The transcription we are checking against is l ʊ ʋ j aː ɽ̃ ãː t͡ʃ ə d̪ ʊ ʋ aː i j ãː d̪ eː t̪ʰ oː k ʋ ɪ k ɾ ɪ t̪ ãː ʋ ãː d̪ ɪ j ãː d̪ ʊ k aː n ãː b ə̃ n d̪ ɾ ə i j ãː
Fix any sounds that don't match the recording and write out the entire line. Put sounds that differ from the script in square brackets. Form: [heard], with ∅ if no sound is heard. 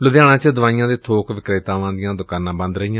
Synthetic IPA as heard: l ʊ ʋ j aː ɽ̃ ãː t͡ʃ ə d̪ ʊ ʋ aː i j ãː d̪ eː t̪ʰ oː k ʋ ɪ k ɾ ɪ t̪ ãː ʋ ãː d̪ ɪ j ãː d̪ ʊ k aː n ãː b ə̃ n d̪ ɾ ə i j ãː